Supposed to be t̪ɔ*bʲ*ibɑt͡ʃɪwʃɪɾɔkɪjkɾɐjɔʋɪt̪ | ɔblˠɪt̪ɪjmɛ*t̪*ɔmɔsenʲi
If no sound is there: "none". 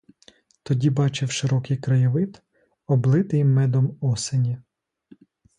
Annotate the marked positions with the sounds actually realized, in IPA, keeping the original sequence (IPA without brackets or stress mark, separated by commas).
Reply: dʲ, d̪